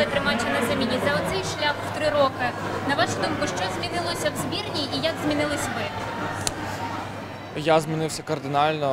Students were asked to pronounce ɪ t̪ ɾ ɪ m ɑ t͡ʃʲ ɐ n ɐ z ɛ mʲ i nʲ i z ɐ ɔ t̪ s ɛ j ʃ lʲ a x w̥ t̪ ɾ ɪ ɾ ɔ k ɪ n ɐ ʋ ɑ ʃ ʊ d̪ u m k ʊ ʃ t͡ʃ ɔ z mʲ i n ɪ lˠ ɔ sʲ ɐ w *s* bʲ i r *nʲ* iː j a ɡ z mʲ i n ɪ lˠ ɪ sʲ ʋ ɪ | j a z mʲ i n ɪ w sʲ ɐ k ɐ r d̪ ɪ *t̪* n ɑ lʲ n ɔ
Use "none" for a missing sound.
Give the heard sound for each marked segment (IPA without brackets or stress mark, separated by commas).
z, nʲ, none